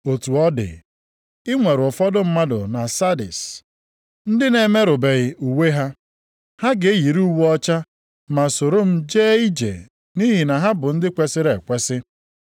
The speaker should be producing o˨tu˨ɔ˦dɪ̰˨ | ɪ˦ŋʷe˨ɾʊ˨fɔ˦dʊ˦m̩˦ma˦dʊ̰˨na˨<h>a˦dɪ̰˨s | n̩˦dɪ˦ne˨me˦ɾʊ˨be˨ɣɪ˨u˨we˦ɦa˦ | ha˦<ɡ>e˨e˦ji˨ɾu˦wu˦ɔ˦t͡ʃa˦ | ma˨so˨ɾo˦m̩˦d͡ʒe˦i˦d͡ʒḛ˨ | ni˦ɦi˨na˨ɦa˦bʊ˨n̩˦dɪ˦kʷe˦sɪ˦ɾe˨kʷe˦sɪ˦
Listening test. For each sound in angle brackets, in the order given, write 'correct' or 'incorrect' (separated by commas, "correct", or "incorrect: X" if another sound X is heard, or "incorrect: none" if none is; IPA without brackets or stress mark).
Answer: incorrect: s, correct